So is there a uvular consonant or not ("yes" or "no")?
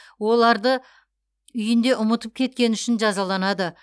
no